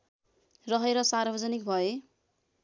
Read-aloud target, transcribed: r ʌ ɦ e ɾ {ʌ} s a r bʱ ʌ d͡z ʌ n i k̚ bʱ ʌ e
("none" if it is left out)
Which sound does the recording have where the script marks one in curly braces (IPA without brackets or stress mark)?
ʌ